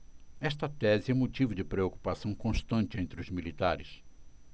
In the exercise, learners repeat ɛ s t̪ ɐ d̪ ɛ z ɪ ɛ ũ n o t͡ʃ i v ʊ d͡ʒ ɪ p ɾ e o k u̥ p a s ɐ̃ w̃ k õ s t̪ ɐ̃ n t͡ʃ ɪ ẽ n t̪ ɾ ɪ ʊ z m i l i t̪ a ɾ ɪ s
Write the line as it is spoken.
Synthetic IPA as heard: ɛ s t̪ ɐ t̪ ɛ z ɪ ɛ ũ m o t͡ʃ i v ʊ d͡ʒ ɪ p ɾ e o k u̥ p a s ɐ̃ w̃ k õ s t̪ ɐ̃ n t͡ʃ ɪ ẽ n t̪ ɾ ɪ ʊ z m i l i t̪ a ɾ ɪ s